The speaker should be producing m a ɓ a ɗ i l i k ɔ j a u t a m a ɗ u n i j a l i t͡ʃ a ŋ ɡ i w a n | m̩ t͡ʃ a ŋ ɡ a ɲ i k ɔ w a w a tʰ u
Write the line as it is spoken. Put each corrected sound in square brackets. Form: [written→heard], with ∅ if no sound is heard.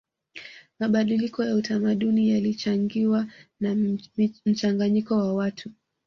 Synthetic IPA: m a ɓ a ɗ i l i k ɔ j a u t a m a ɗ u n i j a l i t͡ʃ a ŋ ɡ i w a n | m̩ t͡ʃ a ŋ ɡ a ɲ i k ɔ w a w a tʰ u